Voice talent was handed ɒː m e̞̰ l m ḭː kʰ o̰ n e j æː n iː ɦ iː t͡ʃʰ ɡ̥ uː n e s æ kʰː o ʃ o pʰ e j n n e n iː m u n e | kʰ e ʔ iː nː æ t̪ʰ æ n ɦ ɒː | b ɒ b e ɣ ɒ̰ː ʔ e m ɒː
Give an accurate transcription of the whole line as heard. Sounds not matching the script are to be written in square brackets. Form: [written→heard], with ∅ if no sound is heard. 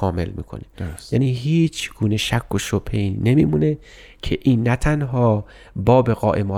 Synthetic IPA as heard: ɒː m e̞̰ l m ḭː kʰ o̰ n e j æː n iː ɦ iː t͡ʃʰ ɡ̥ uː n e [s→ʃ] æ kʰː o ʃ o pʰ e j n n e [n→m] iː m u n e | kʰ e ʔ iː nː æ t̪ʰ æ n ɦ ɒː | b [ɒ→ɒː] b e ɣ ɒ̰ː ʔ e m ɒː